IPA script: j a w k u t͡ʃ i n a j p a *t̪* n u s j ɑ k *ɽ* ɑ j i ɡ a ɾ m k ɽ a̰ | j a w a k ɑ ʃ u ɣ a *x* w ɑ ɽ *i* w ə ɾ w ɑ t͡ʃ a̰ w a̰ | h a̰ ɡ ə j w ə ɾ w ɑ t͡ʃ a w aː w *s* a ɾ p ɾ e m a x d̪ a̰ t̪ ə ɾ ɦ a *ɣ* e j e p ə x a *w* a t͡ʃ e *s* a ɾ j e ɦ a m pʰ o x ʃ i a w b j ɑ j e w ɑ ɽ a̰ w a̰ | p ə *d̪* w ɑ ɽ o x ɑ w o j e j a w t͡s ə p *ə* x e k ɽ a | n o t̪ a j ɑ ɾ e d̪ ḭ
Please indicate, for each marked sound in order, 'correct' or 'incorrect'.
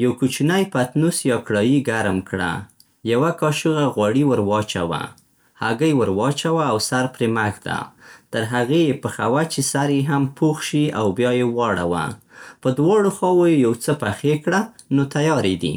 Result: correct, correct, incorrect: ɣ, correct, correct, correct, correct, correct, correct, incorrect: a

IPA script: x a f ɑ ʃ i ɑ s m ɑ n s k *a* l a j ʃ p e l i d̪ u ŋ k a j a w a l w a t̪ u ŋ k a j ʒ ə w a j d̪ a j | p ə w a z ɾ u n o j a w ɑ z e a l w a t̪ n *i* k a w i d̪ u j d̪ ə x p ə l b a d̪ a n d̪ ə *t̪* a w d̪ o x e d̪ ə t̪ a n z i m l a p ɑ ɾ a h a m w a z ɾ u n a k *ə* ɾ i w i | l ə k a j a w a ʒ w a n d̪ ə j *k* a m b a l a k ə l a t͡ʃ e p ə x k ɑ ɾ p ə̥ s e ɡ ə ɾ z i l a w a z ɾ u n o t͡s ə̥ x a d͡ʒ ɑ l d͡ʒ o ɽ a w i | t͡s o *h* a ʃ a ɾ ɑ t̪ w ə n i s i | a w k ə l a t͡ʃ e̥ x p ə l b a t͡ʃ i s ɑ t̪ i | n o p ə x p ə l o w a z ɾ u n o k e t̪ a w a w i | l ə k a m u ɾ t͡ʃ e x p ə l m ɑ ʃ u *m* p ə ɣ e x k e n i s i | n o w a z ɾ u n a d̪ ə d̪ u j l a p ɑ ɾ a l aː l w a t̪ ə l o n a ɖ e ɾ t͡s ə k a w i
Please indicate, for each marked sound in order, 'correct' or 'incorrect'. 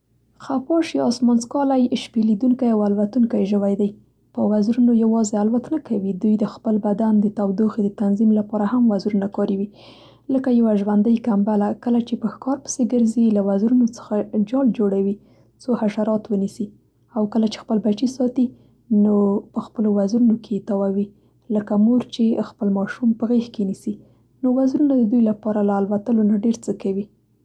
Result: incorrect: ɑ, incorrect: a, correct, incorrect: ɑ, correct, correct, correct

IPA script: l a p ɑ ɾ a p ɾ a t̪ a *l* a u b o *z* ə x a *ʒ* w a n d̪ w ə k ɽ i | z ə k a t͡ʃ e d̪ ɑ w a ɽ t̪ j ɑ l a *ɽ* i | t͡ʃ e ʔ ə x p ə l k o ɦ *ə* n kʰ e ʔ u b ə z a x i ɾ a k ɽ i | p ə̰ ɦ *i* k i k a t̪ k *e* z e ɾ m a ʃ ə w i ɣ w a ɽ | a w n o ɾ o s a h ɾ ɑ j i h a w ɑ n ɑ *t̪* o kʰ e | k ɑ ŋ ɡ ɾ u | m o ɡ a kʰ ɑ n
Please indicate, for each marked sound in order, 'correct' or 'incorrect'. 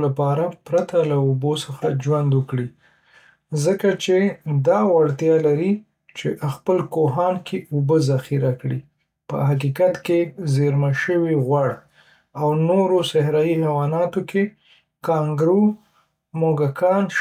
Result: correct, incorrect: s, incorrect: d͡ʒ, incorrect: ɾ, incorrect: ɑ, incorrect: a, correct, correct

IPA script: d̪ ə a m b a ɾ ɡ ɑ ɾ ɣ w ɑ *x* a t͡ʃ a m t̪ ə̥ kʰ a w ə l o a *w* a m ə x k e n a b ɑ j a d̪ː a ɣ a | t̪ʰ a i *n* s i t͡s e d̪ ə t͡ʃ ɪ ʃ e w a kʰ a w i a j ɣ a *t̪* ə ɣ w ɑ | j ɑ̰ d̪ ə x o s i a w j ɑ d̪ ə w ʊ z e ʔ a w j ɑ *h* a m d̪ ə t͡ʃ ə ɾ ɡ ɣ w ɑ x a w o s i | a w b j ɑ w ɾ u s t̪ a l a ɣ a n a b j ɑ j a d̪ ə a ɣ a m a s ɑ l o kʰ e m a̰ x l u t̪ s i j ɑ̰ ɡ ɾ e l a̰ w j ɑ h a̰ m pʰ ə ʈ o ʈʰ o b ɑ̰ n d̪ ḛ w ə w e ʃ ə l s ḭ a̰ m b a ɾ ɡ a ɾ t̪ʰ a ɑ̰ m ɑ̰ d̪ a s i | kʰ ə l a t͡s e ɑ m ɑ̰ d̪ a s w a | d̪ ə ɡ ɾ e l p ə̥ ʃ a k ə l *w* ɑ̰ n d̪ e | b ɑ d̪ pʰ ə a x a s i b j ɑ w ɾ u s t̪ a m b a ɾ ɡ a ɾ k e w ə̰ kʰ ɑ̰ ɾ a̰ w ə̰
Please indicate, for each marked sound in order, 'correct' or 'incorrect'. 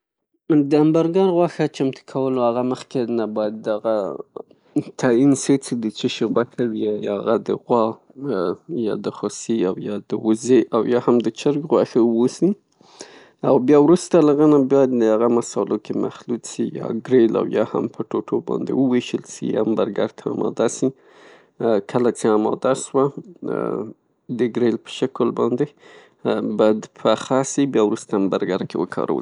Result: correct, incorrect: ɣ, correct, incorrect: d̪, correct, incorrect: b

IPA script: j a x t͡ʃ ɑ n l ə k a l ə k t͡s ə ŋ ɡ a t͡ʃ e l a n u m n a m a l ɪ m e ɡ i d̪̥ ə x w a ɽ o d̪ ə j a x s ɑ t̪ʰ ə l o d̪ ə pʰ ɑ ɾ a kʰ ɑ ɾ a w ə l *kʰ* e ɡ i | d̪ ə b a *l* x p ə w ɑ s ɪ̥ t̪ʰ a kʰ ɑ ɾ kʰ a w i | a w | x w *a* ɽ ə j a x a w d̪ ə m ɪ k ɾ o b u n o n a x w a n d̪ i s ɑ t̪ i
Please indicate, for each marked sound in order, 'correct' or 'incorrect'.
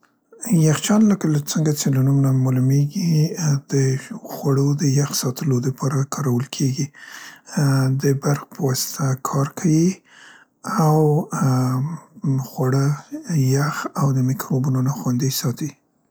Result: correct, incorrect: ɾ, correct

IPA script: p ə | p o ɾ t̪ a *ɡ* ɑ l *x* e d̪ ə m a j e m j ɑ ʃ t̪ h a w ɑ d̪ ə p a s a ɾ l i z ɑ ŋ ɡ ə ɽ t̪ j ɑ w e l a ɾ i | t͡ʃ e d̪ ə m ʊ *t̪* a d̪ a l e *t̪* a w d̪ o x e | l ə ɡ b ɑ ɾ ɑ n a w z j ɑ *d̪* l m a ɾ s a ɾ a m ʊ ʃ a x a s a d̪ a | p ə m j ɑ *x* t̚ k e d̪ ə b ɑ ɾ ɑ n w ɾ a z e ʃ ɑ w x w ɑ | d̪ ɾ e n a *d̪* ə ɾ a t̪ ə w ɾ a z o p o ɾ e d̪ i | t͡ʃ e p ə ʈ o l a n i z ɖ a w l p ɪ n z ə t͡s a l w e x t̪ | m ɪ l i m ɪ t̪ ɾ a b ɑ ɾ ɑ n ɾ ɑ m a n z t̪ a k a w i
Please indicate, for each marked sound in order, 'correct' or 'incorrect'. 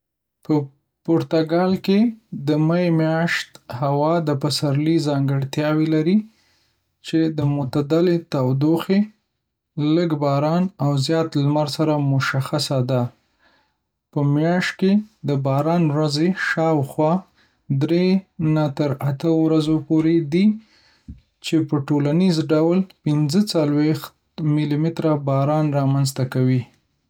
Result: correct, incorrect: k, correct, correct, incorrect: t̪, incorrect: ʃ, incorrect: t̪

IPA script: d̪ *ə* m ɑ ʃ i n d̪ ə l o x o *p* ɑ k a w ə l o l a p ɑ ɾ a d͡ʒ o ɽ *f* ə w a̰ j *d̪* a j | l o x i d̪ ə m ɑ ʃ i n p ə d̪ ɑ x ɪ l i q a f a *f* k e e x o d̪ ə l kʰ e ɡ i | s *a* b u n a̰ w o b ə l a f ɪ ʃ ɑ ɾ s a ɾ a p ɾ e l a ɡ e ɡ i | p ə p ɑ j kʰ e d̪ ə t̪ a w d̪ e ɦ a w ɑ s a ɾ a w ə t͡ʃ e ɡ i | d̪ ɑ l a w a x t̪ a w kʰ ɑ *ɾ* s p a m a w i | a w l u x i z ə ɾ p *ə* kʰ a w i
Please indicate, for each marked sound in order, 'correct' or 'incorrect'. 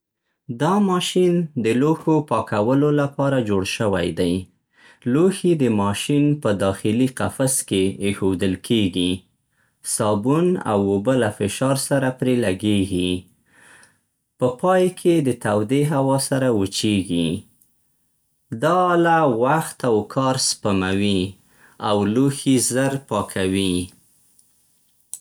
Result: incorrect: ɑ, correct, incorrect: ʃ, correct, incorrect: s, incorrect: ɑ, correct, incorrect: ɑ

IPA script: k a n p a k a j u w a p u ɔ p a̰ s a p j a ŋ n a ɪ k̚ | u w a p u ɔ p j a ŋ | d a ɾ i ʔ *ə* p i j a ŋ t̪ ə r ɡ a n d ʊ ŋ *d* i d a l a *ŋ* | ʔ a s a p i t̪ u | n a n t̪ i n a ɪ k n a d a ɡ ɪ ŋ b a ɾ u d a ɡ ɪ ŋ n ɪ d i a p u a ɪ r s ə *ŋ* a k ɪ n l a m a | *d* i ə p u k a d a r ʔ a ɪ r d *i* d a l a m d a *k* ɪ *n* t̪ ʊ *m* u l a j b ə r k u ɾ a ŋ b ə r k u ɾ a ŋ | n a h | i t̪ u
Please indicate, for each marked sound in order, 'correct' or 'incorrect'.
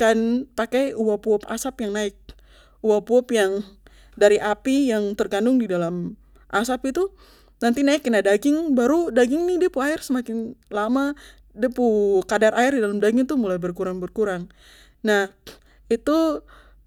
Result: incorrect: a, correct, incorrect: m, incorrect: m, correct, correct, incorrect: ɡ, incorrect: ŋ, correct

